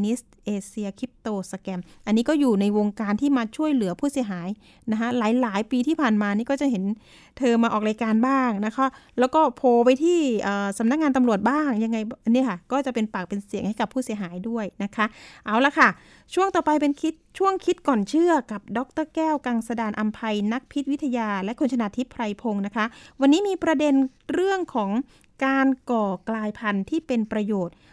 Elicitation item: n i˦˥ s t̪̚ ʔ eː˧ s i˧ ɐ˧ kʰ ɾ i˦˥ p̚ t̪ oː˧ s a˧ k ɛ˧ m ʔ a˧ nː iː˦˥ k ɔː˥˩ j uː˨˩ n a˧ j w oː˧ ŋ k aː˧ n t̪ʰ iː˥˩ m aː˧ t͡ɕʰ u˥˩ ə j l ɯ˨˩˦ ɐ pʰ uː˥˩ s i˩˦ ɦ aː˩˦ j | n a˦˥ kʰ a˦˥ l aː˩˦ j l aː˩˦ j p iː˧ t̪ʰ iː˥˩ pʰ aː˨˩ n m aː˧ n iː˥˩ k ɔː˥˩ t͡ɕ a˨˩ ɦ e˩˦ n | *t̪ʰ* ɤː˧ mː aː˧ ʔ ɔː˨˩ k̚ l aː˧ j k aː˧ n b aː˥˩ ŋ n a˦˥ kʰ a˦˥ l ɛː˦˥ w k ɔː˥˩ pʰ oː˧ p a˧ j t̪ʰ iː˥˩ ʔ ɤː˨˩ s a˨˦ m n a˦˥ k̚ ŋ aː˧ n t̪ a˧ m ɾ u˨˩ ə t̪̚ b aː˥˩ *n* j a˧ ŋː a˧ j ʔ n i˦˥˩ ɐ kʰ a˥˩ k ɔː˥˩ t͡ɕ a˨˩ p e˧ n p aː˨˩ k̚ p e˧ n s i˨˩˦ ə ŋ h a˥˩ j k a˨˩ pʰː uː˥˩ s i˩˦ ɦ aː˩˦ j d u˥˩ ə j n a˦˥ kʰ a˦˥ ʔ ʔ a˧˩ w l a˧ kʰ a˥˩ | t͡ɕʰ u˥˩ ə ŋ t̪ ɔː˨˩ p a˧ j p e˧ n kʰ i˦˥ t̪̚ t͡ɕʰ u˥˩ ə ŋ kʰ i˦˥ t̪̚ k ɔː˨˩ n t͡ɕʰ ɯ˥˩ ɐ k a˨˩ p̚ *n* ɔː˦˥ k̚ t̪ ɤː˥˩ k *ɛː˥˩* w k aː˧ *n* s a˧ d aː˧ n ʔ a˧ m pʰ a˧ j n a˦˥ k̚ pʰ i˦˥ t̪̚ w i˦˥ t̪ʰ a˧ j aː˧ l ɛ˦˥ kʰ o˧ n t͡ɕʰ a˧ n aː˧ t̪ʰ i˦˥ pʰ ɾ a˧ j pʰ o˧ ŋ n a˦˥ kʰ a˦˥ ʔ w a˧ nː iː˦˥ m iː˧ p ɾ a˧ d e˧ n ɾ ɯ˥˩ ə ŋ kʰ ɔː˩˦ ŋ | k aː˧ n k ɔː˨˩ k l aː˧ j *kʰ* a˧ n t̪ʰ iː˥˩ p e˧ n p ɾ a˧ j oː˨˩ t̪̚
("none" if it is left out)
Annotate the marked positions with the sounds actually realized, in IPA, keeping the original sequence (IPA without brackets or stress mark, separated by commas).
t̪ʰ, ŋ, d, ɛː˥˩, ŋ, pʰ